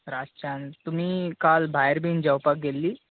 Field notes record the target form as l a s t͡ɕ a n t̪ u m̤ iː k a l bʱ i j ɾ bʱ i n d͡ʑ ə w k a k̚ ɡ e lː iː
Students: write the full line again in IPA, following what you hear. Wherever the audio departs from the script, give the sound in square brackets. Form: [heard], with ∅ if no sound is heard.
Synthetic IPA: [ɾ] a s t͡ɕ a n t̪ u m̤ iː k a l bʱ [a] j ɾ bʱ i n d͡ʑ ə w [p] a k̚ ɡ e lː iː